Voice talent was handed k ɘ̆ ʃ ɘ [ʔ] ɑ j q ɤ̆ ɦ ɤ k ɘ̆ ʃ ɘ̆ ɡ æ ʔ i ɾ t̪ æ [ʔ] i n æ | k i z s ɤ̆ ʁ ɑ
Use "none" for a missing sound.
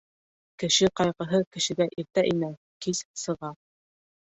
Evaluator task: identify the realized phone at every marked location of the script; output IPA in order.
q, ʔ

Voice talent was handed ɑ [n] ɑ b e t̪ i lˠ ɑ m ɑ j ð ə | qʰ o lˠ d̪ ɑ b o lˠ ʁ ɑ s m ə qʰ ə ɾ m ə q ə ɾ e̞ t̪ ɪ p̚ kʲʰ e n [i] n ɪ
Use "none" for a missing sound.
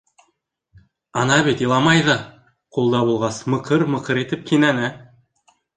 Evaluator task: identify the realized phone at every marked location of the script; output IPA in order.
n, æ

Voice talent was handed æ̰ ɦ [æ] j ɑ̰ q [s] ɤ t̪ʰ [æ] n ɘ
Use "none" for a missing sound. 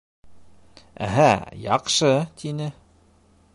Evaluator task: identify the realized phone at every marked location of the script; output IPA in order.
æ, ʃ, i

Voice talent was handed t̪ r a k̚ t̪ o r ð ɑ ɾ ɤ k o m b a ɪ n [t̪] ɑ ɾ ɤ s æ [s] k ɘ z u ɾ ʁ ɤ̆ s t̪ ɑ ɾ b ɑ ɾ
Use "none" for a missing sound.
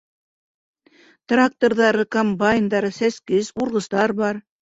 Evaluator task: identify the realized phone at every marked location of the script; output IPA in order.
d̪, s

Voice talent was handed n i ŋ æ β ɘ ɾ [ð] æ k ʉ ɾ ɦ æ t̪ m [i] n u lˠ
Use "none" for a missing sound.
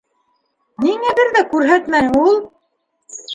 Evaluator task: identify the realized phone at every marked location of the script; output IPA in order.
ð, æ

